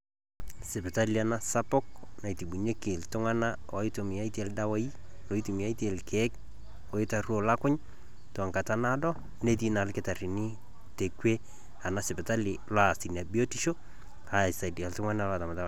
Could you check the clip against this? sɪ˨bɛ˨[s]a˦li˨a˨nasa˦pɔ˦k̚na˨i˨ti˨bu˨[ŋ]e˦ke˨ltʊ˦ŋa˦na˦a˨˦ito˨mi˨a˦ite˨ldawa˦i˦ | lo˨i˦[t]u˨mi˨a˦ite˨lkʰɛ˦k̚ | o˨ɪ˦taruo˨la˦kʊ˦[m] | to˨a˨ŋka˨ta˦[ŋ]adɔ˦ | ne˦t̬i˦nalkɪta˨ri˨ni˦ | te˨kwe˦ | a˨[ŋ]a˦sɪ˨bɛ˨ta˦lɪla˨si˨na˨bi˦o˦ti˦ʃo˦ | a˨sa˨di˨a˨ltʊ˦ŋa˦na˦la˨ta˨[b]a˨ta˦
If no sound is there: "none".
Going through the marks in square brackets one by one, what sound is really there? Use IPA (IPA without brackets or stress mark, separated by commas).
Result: t, ɲ, t, ɲ, n, n, m